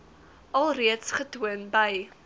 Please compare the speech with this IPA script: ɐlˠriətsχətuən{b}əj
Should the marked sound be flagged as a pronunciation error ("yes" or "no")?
no